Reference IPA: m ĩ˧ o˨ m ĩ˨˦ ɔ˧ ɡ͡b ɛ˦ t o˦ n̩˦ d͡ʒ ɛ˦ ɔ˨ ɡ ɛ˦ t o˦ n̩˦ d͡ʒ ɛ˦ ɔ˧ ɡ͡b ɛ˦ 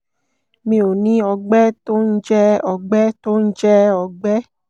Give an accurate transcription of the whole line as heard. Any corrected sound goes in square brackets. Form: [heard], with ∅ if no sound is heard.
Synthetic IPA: m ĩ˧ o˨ [n] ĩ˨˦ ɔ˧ ɡ͡b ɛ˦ t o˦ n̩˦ d͡ʒ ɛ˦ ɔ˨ [ɡ͡b] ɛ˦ t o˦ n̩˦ d͡ʒ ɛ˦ ɔ˧ ɡ͡b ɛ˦